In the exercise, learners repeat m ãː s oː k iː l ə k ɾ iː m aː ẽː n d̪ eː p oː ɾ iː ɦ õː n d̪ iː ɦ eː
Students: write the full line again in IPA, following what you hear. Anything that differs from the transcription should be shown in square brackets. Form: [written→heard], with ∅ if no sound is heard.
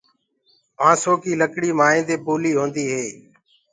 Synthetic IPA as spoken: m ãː s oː k iː l ə k [ɾ→ɽ] iː m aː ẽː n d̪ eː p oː [ɾ→l] iː ɦ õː n d̪ iː ɦ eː